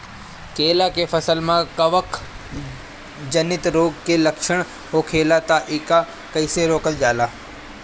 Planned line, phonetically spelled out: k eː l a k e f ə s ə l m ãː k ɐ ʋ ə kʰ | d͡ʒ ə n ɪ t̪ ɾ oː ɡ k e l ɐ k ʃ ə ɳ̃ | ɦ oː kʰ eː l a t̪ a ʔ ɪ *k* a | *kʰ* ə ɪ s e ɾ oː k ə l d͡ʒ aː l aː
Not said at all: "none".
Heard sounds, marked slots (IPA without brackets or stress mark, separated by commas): k, k